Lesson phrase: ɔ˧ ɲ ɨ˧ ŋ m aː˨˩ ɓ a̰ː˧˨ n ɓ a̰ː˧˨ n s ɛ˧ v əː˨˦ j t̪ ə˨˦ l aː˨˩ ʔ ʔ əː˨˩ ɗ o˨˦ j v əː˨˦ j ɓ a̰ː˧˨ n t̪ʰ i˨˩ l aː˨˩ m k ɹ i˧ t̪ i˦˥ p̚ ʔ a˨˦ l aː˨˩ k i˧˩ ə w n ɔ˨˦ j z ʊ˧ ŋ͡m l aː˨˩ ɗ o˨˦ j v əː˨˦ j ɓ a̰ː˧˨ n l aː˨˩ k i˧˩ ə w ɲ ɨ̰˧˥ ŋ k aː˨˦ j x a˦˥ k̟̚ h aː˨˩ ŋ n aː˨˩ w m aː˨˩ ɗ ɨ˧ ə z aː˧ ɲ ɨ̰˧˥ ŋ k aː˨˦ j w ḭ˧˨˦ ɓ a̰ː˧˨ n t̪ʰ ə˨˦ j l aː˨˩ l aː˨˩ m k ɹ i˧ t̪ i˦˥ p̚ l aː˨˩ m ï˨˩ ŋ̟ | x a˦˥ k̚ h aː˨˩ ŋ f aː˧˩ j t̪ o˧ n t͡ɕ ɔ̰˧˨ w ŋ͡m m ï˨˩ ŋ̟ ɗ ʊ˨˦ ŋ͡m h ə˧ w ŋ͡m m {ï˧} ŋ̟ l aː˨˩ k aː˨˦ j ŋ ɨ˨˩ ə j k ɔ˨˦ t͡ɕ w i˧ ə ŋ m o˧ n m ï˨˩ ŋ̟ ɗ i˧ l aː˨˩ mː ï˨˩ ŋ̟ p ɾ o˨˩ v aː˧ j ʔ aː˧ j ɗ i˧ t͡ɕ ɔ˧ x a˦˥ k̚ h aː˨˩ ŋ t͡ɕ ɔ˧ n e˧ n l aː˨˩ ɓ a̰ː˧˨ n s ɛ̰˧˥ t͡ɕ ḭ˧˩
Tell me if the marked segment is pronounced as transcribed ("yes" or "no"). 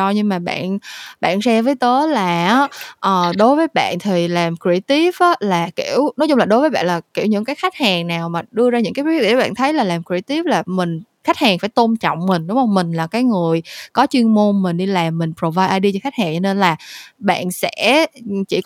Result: no